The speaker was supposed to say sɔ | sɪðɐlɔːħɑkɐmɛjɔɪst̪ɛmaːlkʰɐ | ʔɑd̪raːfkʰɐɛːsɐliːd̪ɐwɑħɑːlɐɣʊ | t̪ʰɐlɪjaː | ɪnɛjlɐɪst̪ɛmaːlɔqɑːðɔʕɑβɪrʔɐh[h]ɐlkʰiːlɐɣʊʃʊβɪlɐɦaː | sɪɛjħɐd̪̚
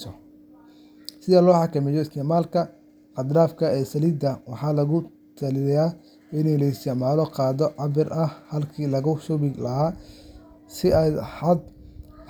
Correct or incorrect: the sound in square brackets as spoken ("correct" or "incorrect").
correct